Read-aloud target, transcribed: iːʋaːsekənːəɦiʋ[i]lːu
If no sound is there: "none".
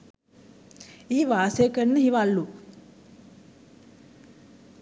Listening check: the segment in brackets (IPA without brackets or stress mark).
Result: a